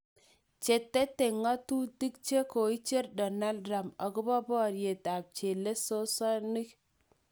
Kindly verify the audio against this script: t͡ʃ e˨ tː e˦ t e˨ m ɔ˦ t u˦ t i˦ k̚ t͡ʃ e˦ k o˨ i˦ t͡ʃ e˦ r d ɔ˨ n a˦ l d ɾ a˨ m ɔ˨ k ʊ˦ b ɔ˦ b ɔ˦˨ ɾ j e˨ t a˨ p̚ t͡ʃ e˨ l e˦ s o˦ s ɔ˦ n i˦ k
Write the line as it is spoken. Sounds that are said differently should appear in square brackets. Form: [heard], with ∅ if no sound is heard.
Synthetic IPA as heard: t͡ʃ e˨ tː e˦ t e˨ [ŋ] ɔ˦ t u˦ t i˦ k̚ t͡ʃ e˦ k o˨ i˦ t͡ʃ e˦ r d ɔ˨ n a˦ l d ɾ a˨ m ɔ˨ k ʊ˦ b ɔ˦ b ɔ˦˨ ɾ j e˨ t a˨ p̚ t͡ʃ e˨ l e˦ s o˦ s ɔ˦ n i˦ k